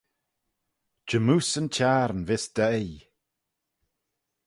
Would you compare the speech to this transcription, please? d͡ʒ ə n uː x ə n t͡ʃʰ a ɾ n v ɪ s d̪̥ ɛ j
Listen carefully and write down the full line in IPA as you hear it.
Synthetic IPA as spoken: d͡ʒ ə m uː s ə n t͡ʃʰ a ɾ n v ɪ s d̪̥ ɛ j